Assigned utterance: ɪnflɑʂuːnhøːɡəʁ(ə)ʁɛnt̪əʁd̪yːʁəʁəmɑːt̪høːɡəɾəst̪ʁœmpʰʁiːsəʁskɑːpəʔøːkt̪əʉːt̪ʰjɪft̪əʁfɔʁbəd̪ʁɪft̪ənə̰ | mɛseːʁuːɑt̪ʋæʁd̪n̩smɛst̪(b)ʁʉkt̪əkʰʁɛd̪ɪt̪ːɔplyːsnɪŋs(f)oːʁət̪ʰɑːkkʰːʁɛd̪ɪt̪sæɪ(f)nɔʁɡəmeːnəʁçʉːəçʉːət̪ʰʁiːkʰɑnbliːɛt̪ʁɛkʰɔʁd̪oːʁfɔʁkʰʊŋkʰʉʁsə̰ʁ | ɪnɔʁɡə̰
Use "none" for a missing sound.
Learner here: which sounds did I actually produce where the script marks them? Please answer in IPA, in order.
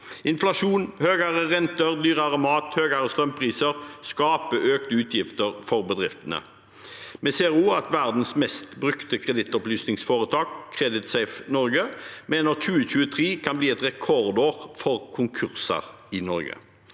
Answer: ə, b, f, f

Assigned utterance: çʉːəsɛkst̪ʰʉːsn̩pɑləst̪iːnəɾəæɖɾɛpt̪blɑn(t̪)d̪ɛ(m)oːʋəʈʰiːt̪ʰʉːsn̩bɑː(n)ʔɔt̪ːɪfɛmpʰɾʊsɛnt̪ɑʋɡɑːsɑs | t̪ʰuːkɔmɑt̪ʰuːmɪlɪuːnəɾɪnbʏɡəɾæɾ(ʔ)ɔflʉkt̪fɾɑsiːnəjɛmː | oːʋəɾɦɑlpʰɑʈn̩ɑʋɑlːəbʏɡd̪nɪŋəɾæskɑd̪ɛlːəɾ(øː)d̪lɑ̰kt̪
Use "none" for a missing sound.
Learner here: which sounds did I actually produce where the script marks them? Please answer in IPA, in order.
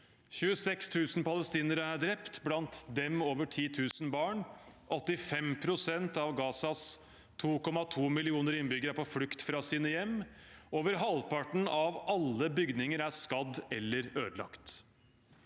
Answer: t̪, m, ɳ, p, øː

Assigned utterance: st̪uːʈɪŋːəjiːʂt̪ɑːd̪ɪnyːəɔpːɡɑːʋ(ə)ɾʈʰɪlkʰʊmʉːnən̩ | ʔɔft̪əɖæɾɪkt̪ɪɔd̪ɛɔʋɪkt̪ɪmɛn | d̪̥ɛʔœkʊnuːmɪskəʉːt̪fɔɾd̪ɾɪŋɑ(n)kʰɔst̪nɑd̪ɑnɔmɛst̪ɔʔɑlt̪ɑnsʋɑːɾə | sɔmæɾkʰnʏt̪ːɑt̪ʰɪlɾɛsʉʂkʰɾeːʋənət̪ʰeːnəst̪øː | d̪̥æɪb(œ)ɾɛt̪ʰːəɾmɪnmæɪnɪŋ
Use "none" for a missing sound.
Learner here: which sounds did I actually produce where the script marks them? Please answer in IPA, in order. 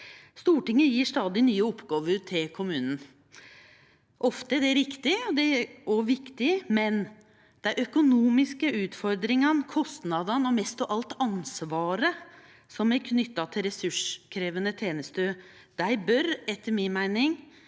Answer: ə, n, œ

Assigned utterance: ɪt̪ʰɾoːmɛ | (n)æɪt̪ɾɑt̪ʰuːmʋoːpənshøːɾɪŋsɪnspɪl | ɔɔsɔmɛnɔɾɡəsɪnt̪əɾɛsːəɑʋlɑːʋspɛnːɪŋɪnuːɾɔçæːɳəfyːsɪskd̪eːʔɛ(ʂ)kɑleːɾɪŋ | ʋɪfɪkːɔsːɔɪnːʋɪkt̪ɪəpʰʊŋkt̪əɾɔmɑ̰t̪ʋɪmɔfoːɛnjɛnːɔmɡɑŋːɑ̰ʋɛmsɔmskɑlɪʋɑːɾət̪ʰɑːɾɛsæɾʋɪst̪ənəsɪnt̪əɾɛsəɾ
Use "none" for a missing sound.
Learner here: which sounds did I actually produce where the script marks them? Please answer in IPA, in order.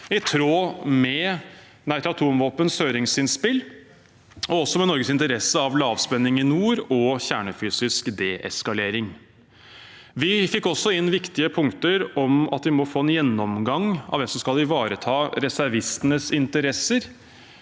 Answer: n, s

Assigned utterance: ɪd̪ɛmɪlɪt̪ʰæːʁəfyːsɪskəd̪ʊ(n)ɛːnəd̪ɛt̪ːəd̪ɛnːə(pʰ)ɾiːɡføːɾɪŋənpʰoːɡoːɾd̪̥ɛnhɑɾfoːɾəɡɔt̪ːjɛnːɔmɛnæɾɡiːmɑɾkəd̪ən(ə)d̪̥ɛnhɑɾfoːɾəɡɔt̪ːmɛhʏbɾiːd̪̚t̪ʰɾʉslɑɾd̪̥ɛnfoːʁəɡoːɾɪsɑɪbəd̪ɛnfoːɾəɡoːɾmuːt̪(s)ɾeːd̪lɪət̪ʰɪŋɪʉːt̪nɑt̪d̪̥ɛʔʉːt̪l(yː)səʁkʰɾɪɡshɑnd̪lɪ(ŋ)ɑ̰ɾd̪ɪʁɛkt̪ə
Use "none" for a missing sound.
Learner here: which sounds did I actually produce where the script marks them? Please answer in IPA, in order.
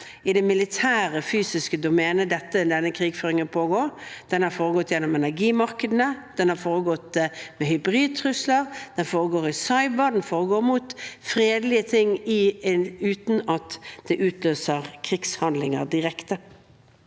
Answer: m, kʰ, ə, f, øː, ŋ

